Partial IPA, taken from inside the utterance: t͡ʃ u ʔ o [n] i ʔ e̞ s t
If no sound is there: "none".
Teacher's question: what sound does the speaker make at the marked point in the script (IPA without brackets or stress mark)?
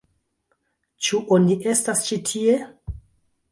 n